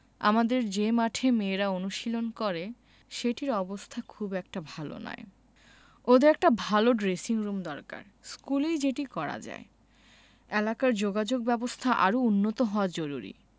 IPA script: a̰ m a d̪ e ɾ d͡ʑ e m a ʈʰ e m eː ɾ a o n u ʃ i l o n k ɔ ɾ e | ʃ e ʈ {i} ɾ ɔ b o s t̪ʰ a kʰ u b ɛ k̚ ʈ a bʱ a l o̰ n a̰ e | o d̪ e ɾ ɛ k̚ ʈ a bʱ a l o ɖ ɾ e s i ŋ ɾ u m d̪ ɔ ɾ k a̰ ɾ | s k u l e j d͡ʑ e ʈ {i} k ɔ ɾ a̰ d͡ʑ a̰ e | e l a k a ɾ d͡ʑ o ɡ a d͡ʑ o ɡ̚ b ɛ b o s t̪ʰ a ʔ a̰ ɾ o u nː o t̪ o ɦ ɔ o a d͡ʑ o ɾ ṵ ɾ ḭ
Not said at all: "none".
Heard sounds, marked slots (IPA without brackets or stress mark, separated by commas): i, i